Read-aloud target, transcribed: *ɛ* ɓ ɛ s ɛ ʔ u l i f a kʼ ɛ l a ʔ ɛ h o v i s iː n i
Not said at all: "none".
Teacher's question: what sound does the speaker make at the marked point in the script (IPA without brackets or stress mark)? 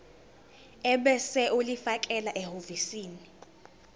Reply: ɛ